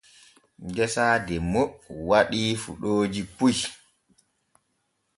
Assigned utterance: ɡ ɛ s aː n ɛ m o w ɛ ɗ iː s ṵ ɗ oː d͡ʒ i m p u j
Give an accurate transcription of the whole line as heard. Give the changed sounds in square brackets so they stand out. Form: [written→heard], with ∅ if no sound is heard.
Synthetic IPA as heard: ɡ ɛ s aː [n→d] ɛ m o w [ɛ→a] ɗ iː [s→f] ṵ ɗ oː d͡ʒ i [m→∅] p u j